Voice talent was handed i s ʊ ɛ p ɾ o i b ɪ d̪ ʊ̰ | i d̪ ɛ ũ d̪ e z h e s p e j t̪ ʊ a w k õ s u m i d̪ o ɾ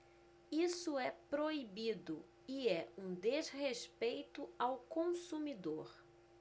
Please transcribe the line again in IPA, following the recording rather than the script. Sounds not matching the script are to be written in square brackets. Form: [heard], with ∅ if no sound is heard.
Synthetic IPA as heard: i s ʊ ɛ p ɾ o i b [i] d̪ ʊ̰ | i [∅] ɛ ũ d̪ e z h e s p e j t̪ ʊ a w k õ s u m i d̪ o ɾ